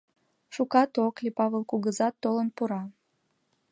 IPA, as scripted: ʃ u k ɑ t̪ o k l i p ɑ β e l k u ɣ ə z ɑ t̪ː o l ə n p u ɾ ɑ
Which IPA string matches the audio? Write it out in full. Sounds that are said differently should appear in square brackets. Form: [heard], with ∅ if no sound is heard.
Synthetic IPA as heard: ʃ u k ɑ t̪ o k l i p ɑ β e l k u ɣ ə z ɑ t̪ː o l ə n p u ɾ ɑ